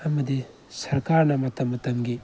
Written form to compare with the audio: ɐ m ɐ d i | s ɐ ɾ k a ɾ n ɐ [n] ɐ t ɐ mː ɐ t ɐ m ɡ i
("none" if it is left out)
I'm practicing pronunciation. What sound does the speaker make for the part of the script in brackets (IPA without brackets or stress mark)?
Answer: m